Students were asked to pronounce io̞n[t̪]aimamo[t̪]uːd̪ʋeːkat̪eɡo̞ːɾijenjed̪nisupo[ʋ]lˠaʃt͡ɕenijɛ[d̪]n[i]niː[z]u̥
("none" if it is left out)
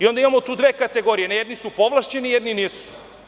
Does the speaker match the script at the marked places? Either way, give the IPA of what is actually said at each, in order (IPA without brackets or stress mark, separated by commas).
d̪, t̪, ʋ, d̪, i, s